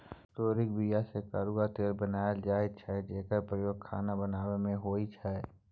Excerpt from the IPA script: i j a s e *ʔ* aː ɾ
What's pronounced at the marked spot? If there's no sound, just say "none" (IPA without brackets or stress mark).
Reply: k